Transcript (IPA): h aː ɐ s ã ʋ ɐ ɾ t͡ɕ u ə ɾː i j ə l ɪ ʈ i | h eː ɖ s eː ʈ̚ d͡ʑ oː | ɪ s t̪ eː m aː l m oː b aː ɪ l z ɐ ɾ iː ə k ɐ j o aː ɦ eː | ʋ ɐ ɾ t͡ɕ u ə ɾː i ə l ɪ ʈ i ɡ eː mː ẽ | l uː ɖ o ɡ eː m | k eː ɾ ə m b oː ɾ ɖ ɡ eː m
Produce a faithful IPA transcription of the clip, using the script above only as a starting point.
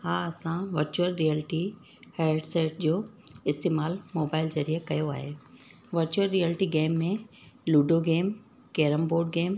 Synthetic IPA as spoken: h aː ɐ s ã ʋ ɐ ɾ t͡ɕ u ə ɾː i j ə l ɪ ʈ i | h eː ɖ s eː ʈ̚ d͡ʑ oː | ɪ s t̪ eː m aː l m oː b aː ɪ l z ɐ ɾ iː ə k ɐ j o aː ɦ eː | ʋ ɐ ɾ t͡ɕ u ə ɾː i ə l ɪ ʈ i ɡ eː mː ẽ | l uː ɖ o ɡ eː m | k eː ɾ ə m b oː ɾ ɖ ɡ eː m